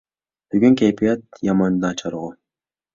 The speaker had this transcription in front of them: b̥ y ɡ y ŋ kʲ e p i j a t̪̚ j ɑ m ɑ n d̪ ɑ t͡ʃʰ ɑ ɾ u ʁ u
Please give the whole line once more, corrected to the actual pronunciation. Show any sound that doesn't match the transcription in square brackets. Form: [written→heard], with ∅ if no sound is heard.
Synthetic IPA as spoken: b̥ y ɡ y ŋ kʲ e p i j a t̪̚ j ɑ m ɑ n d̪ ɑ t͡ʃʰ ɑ ɾ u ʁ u